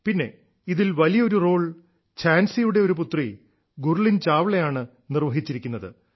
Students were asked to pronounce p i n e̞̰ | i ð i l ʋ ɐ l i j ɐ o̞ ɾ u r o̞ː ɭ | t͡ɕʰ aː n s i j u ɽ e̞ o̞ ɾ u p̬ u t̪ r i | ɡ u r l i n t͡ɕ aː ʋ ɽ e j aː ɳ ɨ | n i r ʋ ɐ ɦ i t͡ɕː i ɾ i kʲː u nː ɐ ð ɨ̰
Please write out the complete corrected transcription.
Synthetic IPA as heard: p i nː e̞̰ | i ð i l ʋ ɐ l i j ɐ o̞ ɾ u r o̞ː ɭ | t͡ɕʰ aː n s i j u ɽ e̞ o̞ ɾ u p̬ u t̪ r i | ɡ u r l i n t͡ɕ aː ʋ ɭ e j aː ɳ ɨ | n i r ʋ ɐ ɦ i t͡ɕː i ɾ i kʲː u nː ɐ ð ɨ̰